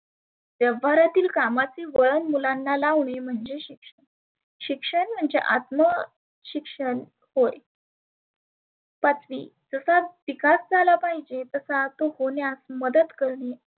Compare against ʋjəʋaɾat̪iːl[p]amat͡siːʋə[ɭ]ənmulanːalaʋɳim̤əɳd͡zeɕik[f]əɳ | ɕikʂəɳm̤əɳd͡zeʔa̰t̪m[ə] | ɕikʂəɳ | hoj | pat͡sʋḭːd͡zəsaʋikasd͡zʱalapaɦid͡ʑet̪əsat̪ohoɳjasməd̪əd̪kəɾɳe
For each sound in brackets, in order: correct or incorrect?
incorrect, correct, incorrect, correct

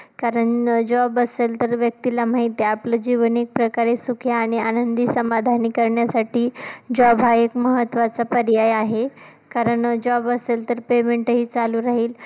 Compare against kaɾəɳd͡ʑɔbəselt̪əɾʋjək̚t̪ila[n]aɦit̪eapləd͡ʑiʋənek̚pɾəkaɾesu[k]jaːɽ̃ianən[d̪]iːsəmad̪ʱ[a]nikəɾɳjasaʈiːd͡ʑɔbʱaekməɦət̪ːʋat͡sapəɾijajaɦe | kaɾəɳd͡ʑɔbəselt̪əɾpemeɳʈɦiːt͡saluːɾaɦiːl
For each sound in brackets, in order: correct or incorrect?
incorrect, incorrect, correct, correct

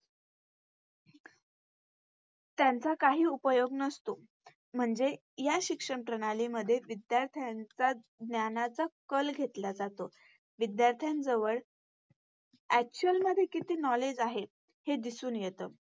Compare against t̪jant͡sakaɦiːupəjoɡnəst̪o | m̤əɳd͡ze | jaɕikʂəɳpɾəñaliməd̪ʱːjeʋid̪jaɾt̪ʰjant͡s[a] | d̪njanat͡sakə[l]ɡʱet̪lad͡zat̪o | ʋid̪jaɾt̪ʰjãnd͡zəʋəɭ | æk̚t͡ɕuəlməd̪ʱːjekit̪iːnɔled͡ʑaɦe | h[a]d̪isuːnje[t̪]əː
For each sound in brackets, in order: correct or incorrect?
correct, correct, incorrect, correct

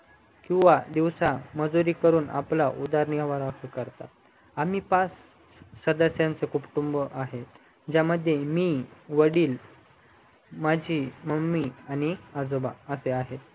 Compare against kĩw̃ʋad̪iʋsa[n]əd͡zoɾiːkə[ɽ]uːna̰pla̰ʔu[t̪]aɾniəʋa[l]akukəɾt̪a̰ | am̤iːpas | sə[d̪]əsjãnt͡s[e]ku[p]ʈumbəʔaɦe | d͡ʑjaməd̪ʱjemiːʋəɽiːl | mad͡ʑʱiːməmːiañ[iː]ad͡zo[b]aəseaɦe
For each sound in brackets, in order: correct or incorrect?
incorrect, incorrect, incorrect, incorrect, correct, correct, correct, incorrect, correct

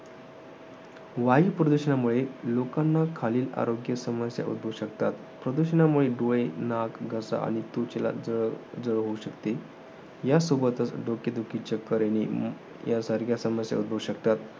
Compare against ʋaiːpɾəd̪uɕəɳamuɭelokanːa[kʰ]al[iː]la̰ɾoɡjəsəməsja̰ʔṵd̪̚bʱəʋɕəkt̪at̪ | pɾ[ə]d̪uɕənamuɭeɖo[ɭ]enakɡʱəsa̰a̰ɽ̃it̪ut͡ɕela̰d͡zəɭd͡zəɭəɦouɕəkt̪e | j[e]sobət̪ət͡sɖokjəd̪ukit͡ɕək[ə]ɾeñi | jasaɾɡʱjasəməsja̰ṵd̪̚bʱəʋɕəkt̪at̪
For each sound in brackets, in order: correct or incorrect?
correct, correct, correct, correct, incorrect, correct

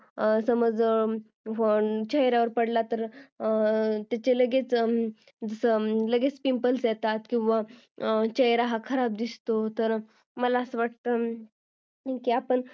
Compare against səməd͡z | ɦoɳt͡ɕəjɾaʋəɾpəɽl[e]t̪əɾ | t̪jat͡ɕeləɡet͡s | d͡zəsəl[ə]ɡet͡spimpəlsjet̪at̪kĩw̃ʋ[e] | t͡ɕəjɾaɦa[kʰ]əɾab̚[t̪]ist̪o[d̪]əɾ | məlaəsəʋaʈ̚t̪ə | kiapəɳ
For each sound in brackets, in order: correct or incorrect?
incorrect, correct, incorrect, correct, incorrect, incorrect

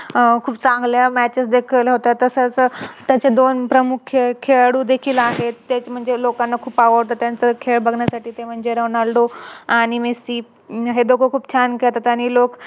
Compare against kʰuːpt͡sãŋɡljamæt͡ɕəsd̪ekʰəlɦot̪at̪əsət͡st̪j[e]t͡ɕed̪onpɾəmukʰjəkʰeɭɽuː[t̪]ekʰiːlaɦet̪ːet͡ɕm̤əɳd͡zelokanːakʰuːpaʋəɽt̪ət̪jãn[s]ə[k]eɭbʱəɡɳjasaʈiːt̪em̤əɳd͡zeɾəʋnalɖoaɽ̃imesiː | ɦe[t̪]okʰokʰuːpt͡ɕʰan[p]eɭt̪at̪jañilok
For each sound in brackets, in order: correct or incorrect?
incorrect, incorrect, incorrect, incorrect, incorrect, incorrect

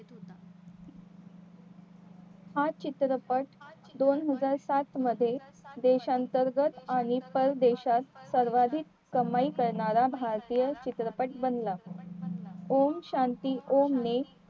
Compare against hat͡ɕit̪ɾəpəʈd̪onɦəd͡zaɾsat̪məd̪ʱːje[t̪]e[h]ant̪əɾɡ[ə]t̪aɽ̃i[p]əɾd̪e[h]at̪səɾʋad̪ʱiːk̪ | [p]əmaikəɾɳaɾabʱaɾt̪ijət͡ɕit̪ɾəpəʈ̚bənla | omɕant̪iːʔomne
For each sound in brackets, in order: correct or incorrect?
incorrect, incorrect, correct, correct, incorrect, incorrect

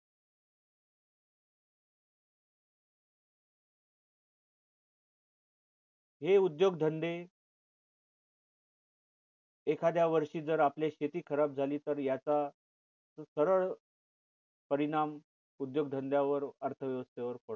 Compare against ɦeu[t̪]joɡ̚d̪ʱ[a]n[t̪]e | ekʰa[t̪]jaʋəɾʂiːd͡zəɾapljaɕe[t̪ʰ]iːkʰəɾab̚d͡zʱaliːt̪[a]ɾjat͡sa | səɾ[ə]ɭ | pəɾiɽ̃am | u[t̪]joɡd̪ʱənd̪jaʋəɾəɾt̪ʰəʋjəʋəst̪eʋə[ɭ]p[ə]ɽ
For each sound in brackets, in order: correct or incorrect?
incorrect, incorrect, incorrect, incorrect, incorrect, incorrect, correct, incorrect, incorrect, correct

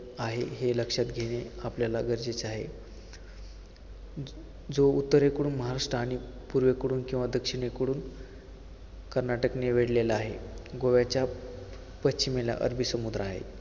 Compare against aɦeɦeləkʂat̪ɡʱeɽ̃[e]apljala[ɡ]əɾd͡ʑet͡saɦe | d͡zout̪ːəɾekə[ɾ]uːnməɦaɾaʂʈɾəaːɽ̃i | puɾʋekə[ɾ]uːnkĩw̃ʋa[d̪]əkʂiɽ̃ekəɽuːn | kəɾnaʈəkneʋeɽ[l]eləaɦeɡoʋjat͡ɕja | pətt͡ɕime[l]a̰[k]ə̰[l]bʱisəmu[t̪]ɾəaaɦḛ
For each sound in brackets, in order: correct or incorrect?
correct, correct, incorrect, incorrect, correct, correct, correct, incorrect, incorrect, incorrect

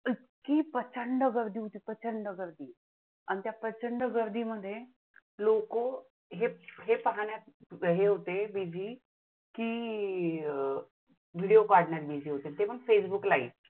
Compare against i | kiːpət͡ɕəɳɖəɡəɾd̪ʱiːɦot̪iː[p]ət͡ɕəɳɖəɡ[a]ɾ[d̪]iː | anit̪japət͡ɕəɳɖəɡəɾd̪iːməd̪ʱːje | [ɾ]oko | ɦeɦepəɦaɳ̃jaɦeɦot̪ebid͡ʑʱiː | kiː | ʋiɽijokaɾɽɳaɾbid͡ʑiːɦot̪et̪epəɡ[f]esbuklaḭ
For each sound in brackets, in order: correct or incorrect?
correct, incorrect, correct, incorrect, correct

